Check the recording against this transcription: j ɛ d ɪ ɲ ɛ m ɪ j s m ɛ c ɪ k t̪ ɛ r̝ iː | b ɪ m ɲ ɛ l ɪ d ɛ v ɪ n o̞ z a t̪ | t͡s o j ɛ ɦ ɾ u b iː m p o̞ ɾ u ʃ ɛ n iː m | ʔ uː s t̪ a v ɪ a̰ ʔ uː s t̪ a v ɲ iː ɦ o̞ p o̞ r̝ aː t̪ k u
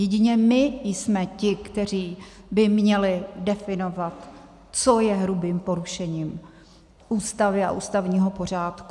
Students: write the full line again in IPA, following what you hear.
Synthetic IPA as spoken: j ɛ ɟ ɪ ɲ ɛ m ɪ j s m ɛ c ɪ k t̪ ɛ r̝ iː | b ɪ m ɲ ɛ l ɪ d ɛ f ɪ n o̞ v a t̪ | t͡s o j ɛ ɦ ɾ u b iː m p o̞ ɾ u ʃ ɛ ɲ iː m | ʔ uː s t̪ a v ɪ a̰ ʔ uː s t̪ a v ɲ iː ɦ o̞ p o̞ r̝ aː t̪ k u